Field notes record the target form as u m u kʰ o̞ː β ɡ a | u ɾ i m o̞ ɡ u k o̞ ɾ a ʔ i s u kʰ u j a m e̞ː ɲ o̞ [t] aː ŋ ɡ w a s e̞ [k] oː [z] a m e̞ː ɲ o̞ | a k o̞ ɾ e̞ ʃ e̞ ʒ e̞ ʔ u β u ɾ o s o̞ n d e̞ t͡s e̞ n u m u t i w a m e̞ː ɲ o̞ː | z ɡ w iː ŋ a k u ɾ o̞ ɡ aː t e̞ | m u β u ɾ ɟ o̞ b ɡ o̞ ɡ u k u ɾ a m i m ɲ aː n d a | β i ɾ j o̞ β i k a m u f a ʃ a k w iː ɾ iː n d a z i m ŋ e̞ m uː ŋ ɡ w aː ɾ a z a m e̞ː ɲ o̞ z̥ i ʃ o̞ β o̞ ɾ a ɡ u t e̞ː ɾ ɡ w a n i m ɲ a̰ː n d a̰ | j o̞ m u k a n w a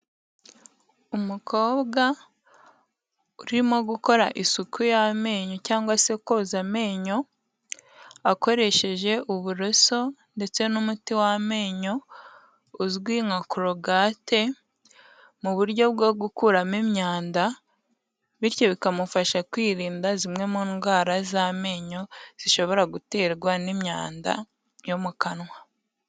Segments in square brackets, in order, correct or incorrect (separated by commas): incorrect, correct, correct